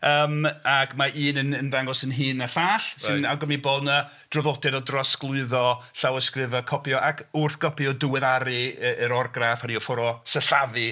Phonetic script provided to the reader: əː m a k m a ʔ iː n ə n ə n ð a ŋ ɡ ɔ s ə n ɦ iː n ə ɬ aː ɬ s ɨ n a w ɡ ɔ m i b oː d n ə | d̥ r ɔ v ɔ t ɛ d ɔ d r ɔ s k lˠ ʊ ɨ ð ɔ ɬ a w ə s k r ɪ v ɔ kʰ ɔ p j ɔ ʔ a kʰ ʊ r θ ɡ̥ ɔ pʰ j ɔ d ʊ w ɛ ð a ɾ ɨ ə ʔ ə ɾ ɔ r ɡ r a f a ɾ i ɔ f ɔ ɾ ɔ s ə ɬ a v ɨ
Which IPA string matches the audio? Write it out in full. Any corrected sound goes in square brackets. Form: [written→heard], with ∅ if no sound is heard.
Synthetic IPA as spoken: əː m a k m a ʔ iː n ə n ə n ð a ŋ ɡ ɔ s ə n ɦ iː n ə ɬ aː ɬ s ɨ n a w ɡ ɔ m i b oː d n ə | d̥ r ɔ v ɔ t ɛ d ɔ d r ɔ s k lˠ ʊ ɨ ð ɔ ɬ a w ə s k r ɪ v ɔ kʰ ɔ p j ɔ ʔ a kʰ ʊ r θ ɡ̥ ɔ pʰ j ɔ d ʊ w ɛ ð a ɾ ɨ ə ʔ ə ɾ ɔ r ɡ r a f a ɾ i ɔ f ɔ ɾ ɔ s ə ɬ a v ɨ